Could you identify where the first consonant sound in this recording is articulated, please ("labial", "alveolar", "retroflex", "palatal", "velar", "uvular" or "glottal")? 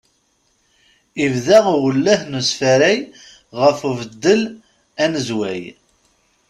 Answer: labial